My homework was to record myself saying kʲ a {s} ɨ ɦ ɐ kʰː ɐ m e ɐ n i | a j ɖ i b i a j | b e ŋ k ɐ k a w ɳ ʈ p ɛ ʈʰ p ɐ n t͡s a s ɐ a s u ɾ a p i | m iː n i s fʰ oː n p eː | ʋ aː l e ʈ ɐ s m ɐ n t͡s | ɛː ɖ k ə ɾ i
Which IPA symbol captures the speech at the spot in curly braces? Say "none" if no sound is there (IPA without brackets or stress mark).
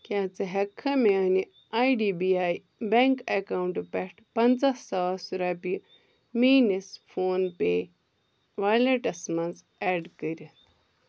t͡s